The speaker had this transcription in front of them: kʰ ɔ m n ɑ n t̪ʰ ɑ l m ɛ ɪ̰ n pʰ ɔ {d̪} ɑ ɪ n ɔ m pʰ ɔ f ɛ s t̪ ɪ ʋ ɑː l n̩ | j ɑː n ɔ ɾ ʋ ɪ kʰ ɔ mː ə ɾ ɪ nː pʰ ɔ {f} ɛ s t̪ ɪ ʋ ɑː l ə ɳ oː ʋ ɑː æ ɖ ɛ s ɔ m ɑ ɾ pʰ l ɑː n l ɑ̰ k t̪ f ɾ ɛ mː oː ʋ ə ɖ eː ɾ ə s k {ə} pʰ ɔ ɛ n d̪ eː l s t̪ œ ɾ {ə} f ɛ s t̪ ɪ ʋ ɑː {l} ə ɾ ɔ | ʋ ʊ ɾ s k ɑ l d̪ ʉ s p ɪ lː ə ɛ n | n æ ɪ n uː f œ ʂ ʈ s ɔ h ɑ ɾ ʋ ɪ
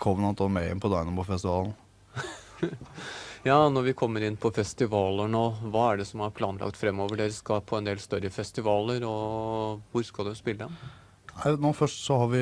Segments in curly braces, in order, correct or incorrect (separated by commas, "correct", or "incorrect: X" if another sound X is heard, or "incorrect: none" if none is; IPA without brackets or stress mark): correct, correct, incorrect: ɑ, correct, correct